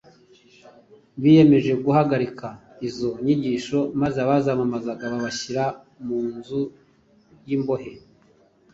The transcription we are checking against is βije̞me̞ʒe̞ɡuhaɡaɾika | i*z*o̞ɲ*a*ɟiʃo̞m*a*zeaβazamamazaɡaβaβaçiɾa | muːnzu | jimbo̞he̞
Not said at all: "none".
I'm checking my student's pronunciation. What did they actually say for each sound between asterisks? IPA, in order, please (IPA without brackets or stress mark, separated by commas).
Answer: z, i, a